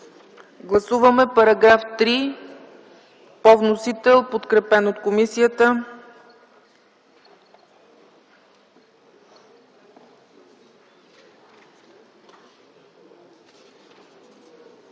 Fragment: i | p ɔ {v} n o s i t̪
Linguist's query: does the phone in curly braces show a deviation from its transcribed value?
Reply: no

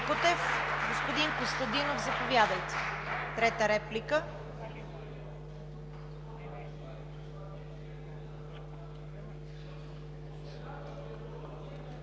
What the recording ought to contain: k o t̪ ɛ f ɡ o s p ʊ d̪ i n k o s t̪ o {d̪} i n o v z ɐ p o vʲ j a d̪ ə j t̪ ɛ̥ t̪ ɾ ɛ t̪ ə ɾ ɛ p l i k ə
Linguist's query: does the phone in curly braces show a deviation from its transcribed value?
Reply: no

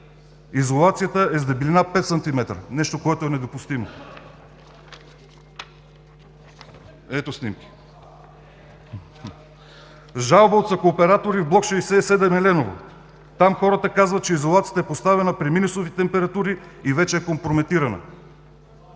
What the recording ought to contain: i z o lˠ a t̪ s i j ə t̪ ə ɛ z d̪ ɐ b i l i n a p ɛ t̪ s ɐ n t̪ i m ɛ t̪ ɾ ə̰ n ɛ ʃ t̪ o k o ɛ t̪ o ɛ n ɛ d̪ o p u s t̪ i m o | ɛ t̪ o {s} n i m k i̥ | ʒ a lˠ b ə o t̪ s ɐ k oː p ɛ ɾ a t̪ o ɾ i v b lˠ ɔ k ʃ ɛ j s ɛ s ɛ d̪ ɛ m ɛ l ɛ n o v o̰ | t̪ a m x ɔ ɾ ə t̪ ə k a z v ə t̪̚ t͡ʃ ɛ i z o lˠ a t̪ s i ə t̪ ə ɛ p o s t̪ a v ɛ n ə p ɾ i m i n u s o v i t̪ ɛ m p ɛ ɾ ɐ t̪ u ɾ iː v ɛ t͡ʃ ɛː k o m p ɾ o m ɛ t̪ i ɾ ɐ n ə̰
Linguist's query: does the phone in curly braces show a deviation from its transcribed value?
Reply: no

